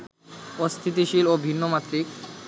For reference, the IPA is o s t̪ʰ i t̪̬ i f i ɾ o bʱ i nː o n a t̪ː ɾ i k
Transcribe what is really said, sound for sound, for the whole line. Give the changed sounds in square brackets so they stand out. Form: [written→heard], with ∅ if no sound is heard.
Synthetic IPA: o s t̪ʰ i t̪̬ i [f→ʃ] i [ɾ→l] o bʱ i nː o [n→m] a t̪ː ɾ i k